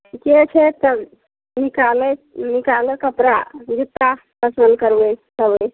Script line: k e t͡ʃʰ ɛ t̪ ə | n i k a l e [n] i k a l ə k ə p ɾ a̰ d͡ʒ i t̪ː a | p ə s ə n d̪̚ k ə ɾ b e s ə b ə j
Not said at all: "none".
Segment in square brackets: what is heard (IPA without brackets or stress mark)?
n